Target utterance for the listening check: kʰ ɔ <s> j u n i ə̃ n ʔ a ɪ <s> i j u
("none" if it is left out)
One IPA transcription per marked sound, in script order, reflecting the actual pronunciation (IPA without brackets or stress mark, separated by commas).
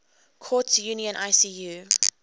t, s